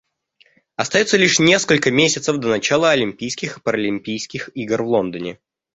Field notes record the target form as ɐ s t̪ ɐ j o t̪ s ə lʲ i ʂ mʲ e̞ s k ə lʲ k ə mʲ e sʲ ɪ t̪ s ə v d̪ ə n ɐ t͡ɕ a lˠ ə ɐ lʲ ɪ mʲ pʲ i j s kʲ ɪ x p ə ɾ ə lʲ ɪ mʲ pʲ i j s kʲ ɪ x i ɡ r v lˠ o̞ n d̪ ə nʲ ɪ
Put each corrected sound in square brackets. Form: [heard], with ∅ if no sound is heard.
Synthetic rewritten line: ɐ s t̪ ɐ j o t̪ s ə lʲ i ʂ [nʲ] e̞ s k ə lʲ k ə mʲ e sʲ ɪ t̪ s ə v d̪ ə n ɐ t͡ɕ a lˠ ə ɐ lʲ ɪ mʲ pʲ i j s kʲ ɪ x p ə ɾ ə lʲ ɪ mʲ pʲ i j s kʲ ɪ x i ɡ r v lˠ o̞ n d̪ ə nʲ ɪ